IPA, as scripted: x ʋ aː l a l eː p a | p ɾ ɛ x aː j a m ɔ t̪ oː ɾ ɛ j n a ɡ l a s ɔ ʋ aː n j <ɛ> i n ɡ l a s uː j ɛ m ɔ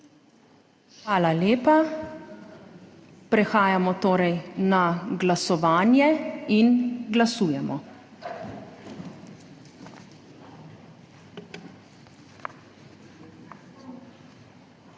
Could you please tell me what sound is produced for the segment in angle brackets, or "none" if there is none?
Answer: ɛ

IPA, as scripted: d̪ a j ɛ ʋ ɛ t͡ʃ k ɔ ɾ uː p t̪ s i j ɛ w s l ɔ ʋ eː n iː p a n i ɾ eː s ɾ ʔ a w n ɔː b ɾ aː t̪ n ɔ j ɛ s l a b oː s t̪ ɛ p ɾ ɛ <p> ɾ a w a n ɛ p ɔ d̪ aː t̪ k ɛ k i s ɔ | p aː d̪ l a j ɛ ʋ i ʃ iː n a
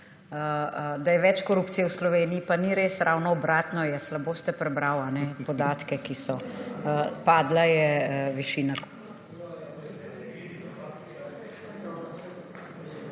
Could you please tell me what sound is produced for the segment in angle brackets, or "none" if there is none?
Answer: b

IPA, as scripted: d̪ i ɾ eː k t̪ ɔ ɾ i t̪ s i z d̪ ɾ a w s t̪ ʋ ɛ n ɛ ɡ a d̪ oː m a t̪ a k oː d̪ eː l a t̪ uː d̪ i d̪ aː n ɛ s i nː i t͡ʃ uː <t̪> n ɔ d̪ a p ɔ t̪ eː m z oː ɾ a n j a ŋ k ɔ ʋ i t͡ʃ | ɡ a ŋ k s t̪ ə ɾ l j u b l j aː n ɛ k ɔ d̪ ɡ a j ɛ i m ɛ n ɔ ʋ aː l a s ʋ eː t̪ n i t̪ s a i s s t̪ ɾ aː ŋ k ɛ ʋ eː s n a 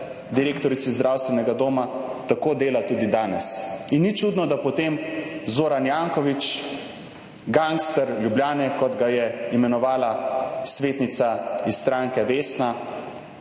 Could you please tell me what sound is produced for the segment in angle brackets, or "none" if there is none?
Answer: d̪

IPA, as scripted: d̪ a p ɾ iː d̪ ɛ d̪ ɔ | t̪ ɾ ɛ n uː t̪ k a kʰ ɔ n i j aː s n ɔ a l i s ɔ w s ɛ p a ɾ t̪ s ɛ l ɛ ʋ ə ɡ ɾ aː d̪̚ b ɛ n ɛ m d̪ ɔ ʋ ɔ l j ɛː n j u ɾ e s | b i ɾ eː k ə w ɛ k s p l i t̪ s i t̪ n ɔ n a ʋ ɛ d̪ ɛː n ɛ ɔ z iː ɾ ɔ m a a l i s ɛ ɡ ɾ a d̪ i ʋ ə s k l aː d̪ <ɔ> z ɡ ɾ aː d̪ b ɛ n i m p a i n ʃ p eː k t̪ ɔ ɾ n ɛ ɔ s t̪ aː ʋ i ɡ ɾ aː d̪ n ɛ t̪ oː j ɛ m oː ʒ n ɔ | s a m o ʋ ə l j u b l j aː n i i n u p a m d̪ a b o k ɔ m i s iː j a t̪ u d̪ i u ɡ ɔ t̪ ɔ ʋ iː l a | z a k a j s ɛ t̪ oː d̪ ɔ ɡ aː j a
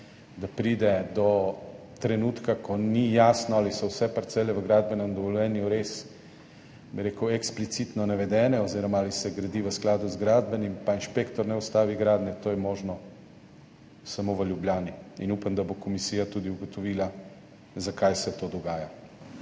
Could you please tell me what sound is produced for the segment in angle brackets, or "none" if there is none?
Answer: u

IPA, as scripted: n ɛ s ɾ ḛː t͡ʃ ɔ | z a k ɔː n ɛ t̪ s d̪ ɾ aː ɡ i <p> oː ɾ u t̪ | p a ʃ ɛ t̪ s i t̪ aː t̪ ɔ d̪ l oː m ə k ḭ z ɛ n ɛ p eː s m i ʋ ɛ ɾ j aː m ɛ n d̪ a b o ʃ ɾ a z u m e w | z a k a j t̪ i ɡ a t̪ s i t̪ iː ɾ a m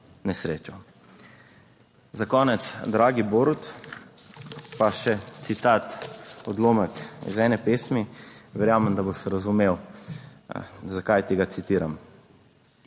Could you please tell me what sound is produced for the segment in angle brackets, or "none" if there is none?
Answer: b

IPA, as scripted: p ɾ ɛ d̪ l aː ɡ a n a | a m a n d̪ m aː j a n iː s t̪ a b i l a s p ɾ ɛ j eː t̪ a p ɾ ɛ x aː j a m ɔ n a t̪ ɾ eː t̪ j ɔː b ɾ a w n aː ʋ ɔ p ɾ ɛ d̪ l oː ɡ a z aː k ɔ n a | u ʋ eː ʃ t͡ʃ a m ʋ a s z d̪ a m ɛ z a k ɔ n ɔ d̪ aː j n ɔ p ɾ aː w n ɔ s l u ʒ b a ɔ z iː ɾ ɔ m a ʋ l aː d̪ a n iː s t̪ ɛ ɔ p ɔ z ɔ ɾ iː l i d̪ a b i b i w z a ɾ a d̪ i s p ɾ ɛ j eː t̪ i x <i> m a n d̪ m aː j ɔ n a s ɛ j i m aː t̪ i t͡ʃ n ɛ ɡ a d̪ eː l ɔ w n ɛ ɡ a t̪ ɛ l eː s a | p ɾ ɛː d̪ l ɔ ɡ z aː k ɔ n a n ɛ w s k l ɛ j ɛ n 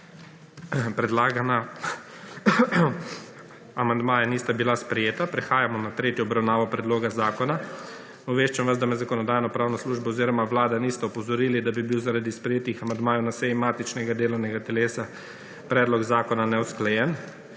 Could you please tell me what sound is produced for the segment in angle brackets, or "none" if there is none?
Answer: a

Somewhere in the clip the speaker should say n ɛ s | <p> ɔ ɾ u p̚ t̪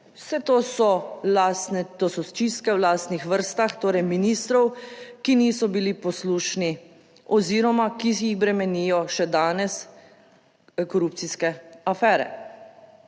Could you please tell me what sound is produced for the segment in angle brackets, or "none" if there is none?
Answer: k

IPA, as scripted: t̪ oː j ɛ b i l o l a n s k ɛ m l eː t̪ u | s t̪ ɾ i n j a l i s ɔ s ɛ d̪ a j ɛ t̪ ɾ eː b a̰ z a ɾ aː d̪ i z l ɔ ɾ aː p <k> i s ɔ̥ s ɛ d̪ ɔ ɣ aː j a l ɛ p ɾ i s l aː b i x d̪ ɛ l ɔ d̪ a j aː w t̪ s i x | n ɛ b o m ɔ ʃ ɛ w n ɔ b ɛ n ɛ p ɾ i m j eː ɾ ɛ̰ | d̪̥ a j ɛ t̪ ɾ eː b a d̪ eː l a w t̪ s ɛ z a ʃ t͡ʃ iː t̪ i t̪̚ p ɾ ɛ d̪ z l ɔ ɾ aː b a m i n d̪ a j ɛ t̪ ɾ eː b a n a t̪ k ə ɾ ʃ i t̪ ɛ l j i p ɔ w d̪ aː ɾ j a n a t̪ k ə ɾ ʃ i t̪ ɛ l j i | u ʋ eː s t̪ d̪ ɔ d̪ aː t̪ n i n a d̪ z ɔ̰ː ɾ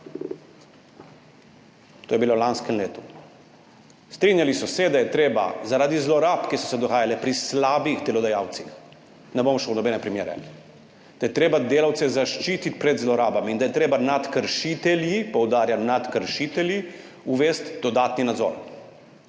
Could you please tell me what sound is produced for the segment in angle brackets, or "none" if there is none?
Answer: k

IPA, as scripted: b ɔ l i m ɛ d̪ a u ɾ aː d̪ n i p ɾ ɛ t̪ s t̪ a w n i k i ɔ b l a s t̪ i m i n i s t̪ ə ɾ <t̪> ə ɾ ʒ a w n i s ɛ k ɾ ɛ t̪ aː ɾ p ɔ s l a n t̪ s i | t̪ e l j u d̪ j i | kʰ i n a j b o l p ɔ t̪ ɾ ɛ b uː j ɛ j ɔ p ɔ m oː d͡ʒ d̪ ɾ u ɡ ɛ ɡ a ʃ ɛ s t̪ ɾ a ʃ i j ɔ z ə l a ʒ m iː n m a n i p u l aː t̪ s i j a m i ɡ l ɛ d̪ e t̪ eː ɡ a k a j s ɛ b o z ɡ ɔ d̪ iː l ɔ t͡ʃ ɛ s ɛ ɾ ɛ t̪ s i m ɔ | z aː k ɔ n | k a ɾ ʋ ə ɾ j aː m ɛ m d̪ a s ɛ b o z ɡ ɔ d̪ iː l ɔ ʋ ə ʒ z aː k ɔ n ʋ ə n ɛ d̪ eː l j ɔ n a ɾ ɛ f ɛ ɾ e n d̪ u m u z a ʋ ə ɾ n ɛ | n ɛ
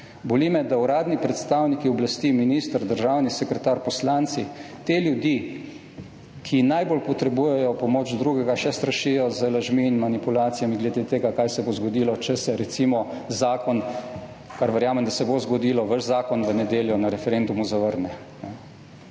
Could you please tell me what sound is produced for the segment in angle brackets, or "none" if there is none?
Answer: d̪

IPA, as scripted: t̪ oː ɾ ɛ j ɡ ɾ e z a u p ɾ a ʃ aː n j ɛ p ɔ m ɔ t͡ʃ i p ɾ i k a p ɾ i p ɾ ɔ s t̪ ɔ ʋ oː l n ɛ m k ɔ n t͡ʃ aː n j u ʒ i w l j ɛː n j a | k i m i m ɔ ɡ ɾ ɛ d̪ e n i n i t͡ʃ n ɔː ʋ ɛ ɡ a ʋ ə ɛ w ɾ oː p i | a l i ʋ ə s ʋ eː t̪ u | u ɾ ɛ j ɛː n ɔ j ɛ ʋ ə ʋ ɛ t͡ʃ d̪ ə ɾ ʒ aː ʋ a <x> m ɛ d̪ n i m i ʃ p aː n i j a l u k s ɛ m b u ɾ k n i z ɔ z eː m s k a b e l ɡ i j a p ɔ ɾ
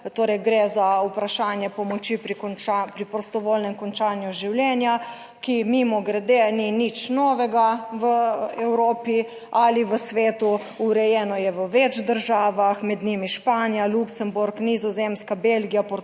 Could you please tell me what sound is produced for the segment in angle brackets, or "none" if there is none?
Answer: x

